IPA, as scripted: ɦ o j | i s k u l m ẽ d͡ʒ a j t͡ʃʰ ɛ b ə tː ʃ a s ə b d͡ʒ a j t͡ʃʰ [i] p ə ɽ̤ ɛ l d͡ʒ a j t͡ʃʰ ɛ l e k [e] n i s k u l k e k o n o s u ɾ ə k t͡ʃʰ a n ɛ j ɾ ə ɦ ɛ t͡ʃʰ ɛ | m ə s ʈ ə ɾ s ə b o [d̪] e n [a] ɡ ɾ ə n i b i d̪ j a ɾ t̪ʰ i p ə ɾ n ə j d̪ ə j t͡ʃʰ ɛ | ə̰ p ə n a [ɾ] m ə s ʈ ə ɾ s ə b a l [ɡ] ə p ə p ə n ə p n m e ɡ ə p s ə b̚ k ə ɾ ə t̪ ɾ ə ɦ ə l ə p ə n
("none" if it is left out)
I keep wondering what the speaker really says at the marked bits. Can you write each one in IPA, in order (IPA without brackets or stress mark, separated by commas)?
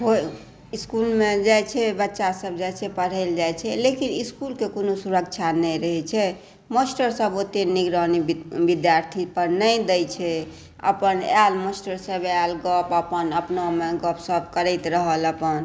ɛ, i, t̪, i, l, ɡ